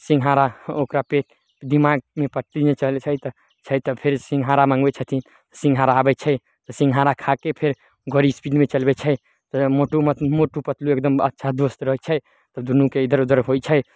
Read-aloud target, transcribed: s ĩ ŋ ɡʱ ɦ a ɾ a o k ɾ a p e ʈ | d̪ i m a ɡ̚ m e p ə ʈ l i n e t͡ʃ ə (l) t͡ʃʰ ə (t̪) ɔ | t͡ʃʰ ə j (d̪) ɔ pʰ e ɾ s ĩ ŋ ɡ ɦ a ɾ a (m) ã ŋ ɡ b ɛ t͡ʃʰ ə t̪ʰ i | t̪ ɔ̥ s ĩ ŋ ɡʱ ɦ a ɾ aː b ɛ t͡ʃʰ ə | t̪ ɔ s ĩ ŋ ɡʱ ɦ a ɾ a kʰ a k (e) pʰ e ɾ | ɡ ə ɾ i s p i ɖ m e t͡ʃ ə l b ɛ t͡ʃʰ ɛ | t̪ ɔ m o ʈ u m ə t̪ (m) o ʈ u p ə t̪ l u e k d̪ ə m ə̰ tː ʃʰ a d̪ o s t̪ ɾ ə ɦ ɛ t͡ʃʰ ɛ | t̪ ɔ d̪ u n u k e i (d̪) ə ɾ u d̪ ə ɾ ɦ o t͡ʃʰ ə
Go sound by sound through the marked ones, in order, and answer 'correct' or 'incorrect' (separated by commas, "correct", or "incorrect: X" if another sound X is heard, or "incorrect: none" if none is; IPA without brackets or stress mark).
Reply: correct, correct, incorrect: t̪, correct, correct, correct, correct